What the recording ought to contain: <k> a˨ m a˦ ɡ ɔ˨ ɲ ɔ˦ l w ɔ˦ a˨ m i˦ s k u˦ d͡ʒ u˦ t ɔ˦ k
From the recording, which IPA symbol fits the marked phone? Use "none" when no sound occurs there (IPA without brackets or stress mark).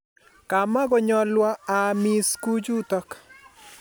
k